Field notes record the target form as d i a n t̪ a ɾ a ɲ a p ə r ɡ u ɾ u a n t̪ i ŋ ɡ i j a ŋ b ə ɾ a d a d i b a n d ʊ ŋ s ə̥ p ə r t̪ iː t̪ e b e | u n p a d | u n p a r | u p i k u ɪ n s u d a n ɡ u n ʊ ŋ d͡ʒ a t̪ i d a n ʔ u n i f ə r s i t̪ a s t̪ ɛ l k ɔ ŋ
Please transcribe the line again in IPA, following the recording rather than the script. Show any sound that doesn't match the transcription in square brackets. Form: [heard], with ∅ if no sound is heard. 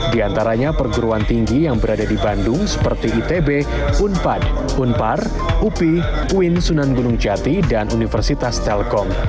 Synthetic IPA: d i a n t̪ a ɾ a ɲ a p ə r ɡ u ɾ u a n t̪ i ŋ ɡ i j a ŋ b ə ɾ a d a d i b a n d ʊ ŋ s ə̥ p ə r t̪ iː t̪ e b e | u n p a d | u n p a r | u p i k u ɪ n s u [n] a n ɡ u n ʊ ŋ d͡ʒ a t̪ i d a n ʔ u n i f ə r s i t̪ a s t̪ ɛ l k ɔ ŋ